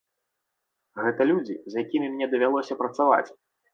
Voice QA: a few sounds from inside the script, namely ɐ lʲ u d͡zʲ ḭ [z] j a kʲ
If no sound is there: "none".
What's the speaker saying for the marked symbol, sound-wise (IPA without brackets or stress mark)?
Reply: z